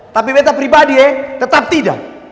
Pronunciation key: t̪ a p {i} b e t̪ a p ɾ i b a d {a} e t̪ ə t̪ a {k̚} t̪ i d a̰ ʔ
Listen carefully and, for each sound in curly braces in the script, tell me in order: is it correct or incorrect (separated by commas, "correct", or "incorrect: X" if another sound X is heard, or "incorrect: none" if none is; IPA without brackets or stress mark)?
correct, incorrect: i, incorrect: p̚